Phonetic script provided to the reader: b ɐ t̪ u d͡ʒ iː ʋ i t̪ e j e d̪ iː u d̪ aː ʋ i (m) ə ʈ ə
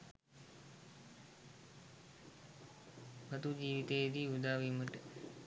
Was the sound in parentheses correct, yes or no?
yes